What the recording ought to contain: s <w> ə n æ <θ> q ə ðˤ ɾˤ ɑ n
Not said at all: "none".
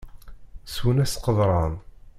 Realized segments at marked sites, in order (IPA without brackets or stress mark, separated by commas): w, s